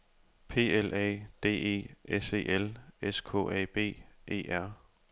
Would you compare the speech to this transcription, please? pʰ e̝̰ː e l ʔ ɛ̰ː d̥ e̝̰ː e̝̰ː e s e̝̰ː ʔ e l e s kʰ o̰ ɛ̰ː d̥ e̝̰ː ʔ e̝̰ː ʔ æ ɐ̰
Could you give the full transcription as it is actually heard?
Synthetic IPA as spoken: pʰ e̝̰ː e l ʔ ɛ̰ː d̥ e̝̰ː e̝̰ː e s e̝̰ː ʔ e l e s kʰ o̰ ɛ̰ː b̥ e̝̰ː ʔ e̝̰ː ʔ æ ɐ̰